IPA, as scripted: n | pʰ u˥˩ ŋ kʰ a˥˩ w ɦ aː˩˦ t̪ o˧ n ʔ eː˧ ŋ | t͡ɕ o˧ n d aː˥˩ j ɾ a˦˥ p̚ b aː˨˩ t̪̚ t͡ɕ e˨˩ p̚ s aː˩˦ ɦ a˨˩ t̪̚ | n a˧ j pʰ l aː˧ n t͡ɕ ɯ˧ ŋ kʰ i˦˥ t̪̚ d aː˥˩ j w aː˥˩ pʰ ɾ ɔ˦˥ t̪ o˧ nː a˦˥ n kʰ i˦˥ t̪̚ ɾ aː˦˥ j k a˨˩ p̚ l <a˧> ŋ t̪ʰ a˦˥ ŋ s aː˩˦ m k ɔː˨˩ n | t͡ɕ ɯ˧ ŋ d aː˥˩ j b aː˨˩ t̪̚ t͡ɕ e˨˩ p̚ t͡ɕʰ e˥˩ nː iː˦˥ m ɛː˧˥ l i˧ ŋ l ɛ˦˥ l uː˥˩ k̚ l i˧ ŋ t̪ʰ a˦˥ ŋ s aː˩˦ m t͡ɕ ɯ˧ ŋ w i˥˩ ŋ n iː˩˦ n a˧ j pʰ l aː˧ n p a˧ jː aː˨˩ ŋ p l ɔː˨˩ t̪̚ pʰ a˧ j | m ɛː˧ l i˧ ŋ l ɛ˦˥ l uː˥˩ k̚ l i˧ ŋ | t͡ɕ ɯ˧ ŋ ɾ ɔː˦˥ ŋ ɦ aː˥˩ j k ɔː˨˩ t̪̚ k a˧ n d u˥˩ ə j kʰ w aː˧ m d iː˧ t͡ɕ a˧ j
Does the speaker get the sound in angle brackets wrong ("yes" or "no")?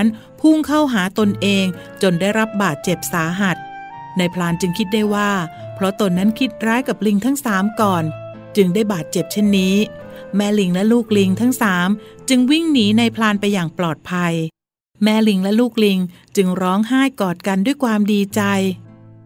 yes